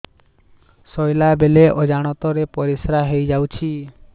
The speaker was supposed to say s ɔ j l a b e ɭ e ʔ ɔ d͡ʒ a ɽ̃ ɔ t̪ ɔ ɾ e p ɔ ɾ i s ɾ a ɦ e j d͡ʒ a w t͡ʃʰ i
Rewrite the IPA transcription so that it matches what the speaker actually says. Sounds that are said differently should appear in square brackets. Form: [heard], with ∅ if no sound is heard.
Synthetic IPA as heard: s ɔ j l a b e [l] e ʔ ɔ d͡ʒ a ɽ̃ ɔ t̪ ɔ ɾ e p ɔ ɾ i s ɾ a ɦ e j d͡ʒ a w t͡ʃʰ i